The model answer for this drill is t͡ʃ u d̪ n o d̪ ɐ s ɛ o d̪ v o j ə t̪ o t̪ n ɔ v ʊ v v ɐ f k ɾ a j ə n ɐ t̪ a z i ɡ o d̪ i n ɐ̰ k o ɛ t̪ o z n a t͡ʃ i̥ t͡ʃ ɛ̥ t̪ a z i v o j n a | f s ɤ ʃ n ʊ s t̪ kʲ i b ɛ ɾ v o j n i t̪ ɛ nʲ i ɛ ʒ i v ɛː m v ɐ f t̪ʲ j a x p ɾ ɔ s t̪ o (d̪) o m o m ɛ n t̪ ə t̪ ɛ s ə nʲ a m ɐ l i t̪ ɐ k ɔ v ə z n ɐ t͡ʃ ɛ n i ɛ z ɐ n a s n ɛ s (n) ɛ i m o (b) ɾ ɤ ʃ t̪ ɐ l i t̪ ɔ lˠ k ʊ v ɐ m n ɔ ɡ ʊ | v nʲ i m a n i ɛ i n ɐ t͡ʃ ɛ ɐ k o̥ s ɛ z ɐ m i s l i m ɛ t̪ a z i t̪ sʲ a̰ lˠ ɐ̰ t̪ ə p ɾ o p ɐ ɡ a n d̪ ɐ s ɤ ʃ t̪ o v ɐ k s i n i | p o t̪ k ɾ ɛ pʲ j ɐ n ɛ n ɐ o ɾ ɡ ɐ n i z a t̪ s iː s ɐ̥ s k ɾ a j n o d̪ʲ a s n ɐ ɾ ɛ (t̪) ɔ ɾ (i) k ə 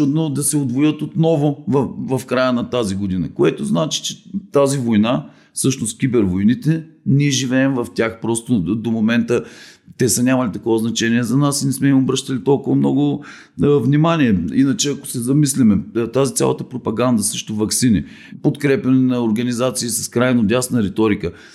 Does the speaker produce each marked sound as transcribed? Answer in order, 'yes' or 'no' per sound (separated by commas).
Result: yes, no, yes, yes, yes